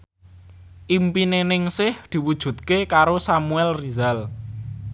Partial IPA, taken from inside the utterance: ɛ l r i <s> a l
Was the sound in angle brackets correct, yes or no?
no